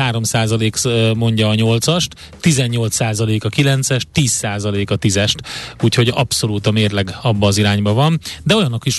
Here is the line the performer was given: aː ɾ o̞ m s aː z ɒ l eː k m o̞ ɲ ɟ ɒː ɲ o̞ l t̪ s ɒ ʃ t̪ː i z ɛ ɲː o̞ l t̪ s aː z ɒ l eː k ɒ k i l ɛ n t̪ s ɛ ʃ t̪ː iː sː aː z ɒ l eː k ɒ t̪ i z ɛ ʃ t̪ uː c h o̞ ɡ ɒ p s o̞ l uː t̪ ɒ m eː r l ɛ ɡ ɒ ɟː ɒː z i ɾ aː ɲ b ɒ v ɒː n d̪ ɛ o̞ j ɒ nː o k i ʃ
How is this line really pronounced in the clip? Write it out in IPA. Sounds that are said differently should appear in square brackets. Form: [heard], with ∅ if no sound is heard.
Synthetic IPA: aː ɾ o̞ m s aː z ɒ l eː k m o̞ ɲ ɟ ɒː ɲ o̞ l t̪ s ɒ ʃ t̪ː i z ɛ ɲː o̞ l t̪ s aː z ɒ l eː k ɒ k i l ɛ n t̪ s ɛ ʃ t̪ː iː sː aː z ɒ l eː k ɒ t̪ i z ɛ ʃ t̪ uː c h o̞ [ɟ] ɒ p s o̞ l uː t̪ ɒ m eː r l ɛ ɡ ɒ [bː] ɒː z i ɾ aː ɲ b ɒ v [ɒ] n d̪ ɛ o̞ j ɒ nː o k i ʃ